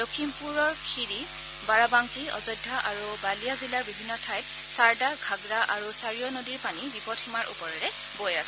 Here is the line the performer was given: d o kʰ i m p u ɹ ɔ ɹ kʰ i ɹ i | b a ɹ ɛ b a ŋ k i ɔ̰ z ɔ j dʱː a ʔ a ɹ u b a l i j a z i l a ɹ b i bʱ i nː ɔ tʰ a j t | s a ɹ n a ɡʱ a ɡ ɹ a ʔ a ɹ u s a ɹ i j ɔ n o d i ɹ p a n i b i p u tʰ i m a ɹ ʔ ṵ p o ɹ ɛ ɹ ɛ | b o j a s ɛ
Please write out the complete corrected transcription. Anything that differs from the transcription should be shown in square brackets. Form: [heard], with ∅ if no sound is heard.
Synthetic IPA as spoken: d o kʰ i m p u ɹ ɔ ɹ kʰ i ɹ i | b a ɹ [a] b a ŋ k i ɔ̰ z ɔ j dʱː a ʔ a ɹ u b a l i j a z i l a ɹ b i bʱ i nː ɔ tʰ a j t | s a ɹ [d] a ɡʱ a ɡ ɹ a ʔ a ɹ u s a ɹ i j ɔ n o d i ɹ p a n i b i p [ɔ] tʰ i m a ɹ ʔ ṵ p [ɔ] ɹ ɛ ɹ ɛ | b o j a s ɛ